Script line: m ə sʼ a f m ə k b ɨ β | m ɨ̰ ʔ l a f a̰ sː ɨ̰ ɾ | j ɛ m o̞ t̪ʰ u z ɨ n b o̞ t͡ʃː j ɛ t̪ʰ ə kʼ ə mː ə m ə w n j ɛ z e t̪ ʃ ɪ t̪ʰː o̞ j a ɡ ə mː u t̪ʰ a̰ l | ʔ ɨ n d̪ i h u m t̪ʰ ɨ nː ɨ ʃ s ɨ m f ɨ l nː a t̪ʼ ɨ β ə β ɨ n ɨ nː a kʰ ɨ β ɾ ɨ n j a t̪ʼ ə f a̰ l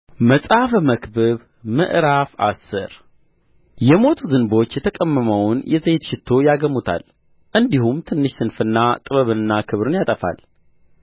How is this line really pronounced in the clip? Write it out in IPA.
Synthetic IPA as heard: m ə sʼ a f m ə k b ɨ β | m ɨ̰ ʔ ɾ a f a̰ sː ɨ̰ ɾ | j ɛ m o̞ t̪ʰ u z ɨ n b o̞ t͡ʃː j ɛ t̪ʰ ə kʼ ə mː ə m ə w n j ɛ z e t̪ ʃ ɪ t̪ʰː o̞ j a ɡ ə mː u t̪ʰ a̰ l | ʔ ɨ n d̪ i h u m t̪ʰ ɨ nː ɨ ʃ s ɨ n f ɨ nː a t̪ʼ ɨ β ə β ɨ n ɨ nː a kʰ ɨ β ɾ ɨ n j a t̪ʼ ə f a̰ l